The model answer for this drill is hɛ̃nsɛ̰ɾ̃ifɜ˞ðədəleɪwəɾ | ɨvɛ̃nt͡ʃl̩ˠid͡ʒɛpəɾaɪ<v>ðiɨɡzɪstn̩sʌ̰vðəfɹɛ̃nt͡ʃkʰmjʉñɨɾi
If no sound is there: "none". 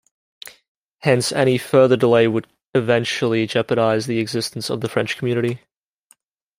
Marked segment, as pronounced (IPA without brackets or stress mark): z